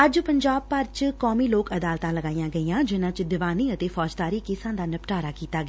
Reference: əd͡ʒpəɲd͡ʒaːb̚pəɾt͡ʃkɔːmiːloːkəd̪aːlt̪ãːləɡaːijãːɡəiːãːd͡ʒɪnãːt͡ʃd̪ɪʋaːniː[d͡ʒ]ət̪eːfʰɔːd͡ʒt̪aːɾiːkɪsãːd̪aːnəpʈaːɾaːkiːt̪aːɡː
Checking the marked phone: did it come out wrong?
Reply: yes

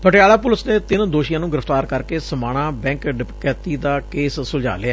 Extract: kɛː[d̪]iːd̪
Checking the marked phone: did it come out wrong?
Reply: yes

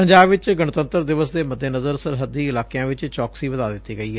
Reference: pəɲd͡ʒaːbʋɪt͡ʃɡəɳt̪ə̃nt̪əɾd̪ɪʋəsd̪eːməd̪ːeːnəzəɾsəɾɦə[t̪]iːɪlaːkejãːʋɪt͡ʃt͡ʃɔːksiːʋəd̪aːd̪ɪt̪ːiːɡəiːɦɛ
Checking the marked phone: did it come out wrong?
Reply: yes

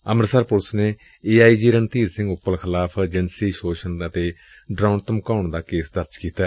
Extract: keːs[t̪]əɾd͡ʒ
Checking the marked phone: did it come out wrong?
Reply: yes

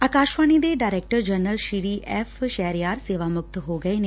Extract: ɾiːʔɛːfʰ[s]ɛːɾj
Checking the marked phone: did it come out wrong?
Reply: yes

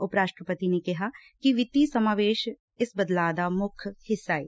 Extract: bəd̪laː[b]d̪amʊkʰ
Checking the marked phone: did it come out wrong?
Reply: yes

